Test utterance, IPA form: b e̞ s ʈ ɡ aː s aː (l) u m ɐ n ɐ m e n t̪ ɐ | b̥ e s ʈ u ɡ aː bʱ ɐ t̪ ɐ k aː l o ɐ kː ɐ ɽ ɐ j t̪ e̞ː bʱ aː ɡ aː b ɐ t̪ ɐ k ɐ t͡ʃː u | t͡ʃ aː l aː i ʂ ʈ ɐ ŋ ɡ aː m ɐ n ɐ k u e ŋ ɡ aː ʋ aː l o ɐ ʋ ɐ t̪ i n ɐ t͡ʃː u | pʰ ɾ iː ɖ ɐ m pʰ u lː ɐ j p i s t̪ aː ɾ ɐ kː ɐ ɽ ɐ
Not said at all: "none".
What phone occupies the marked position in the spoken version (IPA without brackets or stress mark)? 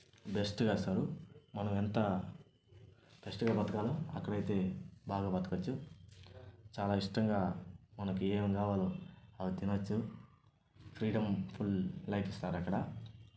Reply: ɾ